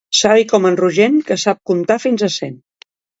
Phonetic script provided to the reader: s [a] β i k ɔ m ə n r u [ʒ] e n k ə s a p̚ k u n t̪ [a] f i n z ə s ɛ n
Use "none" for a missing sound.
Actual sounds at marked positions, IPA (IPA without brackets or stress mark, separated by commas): a, ʒ, a